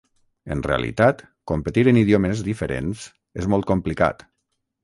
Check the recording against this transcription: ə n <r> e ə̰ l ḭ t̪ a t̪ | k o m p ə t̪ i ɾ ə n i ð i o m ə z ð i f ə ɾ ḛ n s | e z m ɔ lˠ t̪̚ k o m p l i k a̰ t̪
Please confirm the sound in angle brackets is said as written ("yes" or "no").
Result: yes